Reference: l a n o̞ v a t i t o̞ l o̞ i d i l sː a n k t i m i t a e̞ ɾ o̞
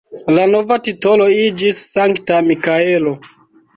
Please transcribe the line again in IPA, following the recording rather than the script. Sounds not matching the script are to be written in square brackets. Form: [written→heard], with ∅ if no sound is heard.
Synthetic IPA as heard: l a n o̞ v a t i t o̞ l o̞ i [d→d͡ʒ] i [l→∅] sː a [n→ŋ] k t [i→a] m i [t→k] a e̞ [ɾ→l] o̞